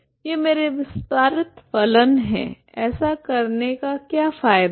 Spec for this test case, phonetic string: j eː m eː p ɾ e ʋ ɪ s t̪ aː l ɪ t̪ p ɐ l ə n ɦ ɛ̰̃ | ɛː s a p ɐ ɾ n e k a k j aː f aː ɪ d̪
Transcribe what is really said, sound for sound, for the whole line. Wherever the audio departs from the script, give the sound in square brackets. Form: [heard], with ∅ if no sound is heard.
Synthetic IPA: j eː m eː [∅] ɾ e ʋ ɪ s t̪ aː [ɾ] ɪ t̪ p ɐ l ə n ɦ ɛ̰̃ | ɛː s a [k] ɐ ɾ n e k a k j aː f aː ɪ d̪